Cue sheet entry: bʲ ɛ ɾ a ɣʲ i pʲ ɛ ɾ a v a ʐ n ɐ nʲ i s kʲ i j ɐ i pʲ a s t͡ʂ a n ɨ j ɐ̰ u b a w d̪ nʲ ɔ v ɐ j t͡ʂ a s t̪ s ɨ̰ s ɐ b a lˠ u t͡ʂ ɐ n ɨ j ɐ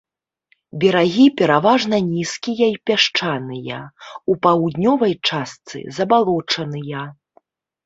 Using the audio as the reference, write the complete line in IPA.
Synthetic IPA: bʲ ɛ ɾ a ɣʲ i pʲ ɛ ɾ a v a ʐ n ɐ nʲ i s kʲ i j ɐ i pʲ a ʂ t͡ʂ a n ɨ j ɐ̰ u p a w d̪ nʲ ɔ v ɐ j t͡ʂ a s t̪ s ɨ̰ z ɐ b a lˠ ɔ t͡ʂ ɐ n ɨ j ɐ